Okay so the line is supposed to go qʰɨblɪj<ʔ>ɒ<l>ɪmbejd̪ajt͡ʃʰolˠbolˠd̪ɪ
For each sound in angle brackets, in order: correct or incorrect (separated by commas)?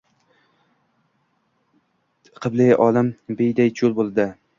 correct, correct